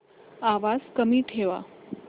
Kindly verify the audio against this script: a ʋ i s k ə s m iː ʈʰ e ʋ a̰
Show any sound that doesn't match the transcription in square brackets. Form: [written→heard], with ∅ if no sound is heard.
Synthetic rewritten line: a ʋ [i→a] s k ə [s→∅] m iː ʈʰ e ʋ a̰